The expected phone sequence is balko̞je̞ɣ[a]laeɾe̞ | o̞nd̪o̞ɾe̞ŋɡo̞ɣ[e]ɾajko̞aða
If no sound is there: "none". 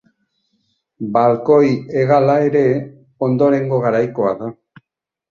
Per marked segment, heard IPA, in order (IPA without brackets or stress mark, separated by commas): a, a